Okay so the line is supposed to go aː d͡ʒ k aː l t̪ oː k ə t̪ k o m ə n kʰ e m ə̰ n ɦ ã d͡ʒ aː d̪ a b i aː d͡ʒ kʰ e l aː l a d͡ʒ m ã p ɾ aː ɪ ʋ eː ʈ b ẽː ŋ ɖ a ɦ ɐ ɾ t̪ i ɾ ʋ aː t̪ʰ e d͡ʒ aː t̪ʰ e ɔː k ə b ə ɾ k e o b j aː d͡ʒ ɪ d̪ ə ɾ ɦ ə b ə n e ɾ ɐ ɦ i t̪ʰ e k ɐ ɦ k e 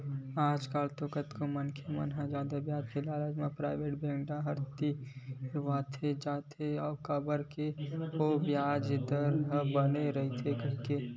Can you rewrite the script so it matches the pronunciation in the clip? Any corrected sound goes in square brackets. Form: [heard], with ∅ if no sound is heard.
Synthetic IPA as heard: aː d͡ʒ k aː l t̪ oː k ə t̪ k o m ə n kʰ e m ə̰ n ɦ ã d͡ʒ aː d̪ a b [j] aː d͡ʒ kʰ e l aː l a d͡ʒ m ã p ɾ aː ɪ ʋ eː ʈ b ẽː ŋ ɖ a ɦ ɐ ɾ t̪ i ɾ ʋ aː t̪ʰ e d͡ʒ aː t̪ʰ e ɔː k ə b ə ɾ k e o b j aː d͡ʒ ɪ d̪ ə ɾ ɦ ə b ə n e ɾ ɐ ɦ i t̪ʰ e k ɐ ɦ k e